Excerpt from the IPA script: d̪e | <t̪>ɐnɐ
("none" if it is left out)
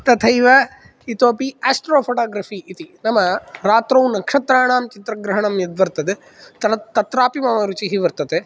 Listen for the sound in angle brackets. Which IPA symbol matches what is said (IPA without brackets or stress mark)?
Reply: t̪